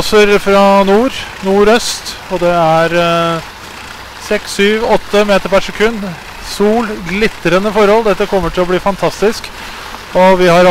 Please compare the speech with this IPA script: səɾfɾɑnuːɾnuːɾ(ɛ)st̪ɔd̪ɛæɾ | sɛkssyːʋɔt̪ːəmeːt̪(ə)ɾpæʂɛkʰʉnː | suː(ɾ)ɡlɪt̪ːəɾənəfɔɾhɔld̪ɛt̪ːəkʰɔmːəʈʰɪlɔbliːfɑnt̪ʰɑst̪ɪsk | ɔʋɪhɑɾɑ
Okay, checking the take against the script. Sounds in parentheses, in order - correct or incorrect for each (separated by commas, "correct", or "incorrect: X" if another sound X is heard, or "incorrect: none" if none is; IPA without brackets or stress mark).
incorrect: œ, correct, incorrect: l